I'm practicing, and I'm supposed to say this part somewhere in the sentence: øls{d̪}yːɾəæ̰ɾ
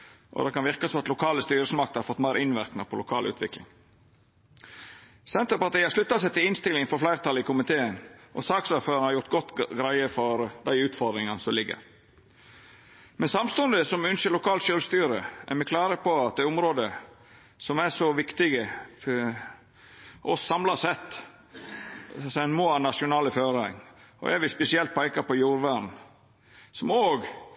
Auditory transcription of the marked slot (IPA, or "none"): t̪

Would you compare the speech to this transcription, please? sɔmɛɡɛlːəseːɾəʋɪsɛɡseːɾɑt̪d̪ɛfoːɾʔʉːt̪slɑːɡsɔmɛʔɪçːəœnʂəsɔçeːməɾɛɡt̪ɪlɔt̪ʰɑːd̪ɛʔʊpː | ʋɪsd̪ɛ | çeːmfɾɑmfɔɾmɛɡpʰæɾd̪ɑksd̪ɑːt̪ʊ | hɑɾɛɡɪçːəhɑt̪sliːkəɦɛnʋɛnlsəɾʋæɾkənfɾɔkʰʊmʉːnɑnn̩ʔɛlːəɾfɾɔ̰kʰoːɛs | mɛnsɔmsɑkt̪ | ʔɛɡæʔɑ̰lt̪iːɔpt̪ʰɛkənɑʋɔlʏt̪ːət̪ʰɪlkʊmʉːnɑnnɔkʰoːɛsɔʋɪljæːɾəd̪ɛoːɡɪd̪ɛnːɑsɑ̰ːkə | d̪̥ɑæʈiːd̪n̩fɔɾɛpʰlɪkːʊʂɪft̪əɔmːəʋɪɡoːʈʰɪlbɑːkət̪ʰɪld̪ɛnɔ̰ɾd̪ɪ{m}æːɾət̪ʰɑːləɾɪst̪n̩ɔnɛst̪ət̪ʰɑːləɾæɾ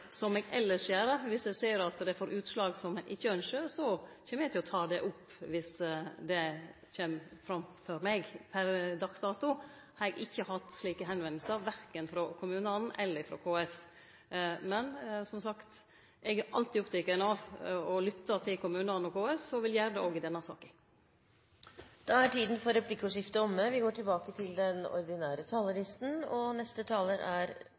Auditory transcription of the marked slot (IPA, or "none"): n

